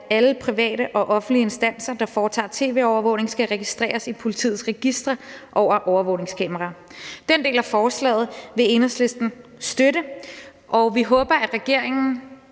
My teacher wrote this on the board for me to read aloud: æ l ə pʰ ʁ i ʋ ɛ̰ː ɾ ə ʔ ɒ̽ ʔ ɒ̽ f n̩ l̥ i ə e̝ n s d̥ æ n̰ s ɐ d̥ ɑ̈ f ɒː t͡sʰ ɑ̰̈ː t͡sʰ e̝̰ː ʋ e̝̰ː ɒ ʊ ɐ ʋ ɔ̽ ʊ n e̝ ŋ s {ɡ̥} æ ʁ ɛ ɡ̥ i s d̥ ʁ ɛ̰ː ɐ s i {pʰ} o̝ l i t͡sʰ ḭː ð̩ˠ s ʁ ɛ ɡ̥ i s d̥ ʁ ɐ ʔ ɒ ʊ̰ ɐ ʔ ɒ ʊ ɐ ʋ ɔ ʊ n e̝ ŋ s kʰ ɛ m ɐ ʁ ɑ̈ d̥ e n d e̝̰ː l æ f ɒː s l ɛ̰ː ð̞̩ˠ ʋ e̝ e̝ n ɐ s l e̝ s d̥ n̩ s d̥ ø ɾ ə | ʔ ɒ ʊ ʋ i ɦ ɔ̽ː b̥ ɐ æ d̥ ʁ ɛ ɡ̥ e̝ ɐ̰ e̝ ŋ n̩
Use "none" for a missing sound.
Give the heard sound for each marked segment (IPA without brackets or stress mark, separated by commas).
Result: ɡ̥, pʰ